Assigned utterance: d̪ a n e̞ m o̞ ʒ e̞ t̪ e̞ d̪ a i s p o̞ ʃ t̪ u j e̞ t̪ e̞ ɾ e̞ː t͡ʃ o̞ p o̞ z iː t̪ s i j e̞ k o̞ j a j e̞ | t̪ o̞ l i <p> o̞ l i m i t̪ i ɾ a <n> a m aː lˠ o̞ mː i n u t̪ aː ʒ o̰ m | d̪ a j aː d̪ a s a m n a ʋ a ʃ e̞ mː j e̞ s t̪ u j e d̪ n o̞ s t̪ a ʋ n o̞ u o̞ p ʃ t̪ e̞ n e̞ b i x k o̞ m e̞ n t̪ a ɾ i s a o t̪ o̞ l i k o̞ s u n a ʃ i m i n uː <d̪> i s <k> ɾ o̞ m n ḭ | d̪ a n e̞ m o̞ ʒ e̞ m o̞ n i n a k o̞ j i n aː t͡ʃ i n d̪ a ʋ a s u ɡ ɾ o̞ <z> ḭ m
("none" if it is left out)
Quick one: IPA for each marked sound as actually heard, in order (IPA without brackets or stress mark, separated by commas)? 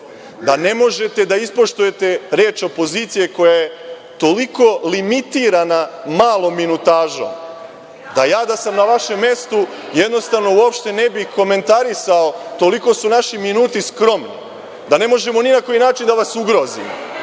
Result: k, n, t̪, k, z